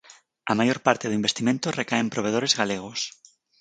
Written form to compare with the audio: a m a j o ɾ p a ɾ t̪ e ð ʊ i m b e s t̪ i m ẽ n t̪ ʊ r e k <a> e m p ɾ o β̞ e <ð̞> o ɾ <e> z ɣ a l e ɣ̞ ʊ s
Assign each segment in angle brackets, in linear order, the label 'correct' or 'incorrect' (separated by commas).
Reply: correct, correct, correct